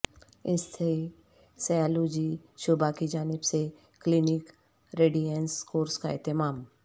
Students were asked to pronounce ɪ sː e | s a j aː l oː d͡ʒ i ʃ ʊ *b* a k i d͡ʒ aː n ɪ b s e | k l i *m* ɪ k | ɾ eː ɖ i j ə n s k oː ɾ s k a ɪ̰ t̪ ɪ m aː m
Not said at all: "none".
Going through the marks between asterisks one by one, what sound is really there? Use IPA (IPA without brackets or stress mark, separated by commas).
b, n